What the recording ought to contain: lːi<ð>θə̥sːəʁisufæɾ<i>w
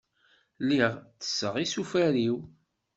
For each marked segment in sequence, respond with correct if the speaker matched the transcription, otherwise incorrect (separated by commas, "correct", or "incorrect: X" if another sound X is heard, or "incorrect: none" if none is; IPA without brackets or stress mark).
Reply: incorrect: ʁ, correct